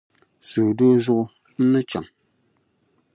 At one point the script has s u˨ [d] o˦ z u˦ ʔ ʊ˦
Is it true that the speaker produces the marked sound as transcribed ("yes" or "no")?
yes